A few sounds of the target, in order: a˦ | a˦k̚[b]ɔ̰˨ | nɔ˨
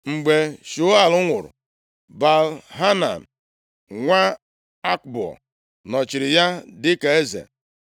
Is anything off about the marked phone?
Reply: no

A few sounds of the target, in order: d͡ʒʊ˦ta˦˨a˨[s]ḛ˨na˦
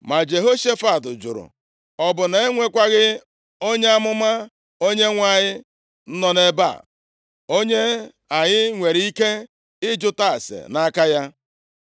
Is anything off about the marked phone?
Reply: no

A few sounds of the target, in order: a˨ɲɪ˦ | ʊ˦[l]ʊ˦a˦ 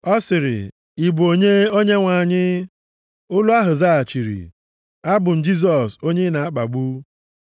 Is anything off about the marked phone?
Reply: no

